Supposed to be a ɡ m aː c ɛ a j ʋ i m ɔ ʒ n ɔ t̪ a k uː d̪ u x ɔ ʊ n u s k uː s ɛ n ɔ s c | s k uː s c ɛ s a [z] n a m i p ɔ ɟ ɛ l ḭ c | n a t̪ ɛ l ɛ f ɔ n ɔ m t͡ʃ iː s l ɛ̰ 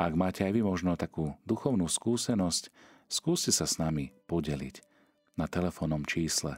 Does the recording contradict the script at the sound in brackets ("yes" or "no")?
yes